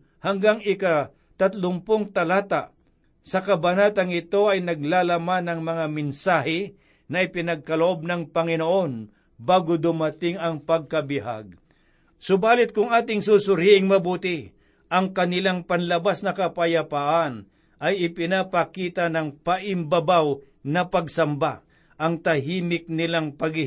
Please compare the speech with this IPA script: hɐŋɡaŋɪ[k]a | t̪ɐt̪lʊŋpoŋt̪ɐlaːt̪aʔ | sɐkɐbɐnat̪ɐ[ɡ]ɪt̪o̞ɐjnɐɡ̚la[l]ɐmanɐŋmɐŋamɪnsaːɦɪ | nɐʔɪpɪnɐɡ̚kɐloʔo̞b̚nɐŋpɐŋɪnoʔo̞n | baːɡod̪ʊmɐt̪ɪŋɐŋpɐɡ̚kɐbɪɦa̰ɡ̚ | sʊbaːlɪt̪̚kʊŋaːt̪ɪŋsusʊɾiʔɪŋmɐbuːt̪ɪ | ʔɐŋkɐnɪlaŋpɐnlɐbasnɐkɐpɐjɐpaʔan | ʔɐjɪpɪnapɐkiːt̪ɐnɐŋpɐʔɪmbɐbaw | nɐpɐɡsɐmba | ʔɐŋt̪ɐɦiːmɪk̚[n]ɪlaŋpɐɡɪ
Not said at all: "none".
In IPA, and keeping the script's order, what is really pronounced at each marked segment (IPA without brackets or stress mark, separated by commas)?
k, ŋ, l, n